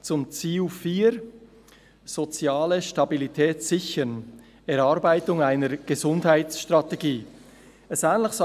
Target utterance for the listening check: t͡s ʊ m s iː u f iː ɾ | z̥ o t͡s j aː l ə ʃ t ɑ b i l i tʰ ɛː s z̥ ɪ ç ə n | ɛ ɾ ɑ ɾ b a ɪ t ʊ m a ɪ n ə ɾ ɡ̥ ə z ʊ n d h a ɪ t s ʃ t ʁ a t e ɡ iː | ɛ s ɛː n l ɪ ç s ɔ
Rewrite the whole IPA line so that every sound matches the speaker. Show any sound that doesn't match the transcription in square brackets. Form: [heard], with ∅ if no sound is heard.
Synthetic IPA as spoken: t͡s ʊ m [t͡s] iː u f iː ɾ | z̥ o t͡s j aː l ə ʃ t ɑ b i l i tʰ ɛː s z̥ ɪ ç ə n | ɛ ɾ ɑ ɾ b a ɪ t ʊ [ŋ] a ɪ n ə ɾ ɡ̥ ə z ʊ n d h a ɪ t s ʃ t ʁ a t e ɡ iː | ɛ s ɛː n l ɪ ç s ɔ